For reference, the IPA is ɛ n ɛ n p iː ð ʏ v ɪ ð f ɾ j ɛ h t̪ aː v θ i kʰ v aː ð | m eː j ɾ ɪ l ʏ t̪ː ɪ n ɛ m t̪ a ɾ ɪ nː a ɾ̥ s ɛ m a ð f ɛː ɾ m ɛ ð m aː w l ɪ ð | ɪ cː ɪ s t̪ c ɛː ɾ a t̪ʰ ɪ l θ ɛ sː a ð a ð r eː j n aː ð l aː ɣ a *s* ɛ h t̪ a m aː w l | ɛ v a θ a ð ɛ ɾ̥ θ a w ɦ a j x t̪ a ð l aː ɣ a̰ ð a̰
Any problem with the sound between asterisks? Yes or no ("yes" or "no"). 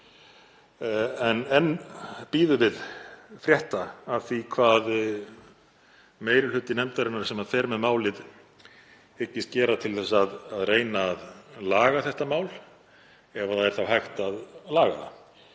yes